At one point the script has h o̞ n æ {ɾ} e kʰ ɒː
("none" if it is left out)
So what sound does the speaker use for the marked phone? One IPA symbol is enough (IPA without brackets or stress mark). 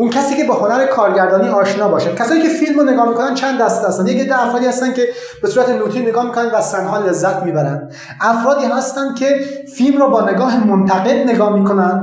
ɾ